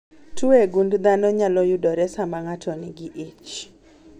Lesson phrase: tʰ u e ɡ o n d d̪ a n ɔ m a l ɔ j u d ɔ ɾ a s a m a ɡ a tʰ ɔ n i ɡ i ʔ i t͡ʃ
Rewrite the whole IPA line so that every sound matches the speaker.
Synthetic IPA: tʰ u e ɡ u n d d̪ a n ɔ ɲ a l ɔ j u d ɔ ɾ ɛ s a m a ŋ a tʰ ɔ n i ɡ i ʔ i t͡ʃ